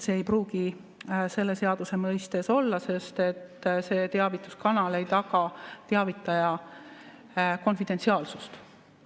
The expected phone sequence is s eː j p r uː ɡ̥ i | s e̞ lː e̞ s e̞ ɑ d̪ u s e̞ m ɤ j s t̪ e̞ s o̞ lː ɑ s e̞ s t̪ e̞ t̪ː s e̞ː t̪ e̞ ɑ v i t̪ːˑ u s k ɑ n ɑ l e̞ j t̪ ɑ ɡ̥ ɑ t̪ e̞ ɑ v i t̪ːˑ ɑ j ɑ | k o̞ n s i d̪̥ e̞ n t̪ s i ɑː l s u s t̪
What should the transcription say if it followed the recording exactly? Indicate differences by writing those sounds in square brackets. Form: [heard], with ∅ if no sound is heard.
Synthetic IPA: s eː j p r uː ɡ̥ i | s e̞ lː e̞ s e̞ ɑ d̪ u s e̞ m ɤ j s t̪ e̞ s o̞ lː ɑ s e̞ s t̪ e̞ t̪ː s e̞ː t̪ e̞ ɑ v i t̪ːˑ u s k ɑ n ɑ l e̞ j t̪ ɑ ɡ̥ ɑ t̪ e̞ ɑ v i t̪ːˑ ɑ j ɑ | k o̞ n [f] i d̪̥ e̞ n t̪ s i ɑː l s u s t̪